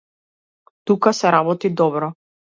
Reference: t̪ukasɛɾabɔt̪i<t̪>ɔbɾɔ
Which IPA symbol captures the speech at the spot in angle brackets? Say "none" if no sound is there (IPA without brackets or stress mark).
d̪